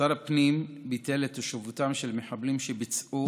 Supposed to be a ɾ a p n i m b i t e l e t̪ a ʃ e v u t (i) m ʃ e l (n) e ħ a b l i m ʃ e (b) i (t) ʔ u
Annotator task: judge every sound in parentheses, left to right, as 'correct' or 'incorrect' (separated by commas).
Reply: incorrect, incorrect, correct, incorrect